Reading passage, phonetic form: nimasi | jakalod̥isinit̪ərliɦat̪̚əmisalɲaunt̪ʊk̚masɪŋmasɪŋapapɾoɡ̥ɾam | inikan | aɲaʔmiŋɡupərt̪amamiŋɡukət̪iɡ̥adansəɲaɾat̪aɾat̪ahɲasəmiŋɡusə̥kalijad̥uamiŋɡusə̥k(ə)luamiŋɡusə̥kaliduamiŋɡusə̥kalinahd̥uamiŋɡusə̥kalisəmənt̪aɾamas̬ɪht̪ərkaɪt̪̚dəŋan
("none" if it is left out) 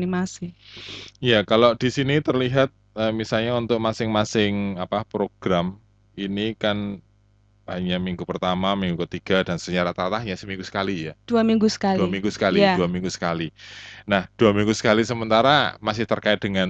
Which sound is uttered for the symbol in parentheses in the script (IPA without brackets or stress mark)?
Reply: a